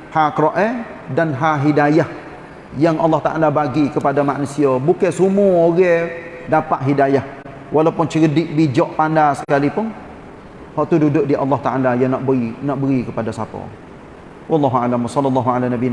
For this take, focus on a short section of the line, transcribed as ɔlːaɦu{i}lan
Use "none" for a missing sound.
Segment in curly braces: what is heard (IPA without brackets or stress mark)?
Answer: a